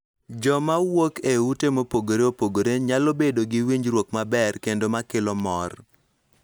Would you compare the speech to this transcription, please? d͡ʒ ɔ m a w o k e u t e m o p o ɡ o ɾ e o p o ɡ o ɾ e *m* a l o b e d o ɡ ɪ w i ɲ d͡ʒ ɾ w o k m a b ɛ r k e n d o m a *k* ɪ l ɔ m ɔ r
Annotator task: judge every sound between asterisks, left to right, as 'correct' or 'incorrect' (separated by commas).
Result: incorrect, correct